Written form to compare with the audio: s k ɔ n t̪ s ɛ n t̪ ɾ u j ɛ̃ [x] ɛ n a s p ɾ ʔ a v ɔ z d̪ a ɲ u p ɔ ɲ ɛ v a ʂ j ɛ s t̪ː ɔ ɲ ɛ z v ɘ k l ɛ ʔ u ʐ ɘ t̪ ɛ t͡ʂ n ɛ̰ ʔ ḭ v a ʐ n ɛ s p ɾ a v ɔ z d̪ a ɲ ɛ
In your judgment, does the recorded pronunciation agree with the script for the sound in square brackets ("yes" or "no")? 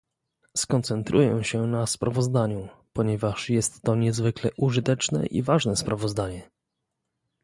no